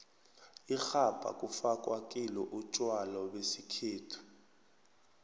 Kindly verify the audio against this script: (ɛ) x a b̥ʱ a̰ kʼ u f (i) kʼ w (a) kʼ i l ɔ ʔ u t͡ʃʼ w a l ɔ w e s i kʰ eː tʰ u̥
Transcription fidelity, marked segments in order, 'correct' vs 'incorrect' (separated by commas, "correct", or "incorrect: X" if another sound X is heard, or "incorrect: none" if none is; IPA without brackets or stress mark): incorrect: i, incorrect: a, correct